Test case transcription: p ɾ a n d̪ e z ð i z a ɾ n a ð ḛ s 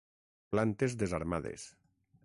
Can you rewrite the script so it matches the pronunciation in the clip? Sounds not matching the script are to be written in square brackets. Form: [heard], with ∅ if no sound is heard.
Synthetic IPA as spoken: p [l] a n [t̪] e z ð [e] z a ɾ [m] a ð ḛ s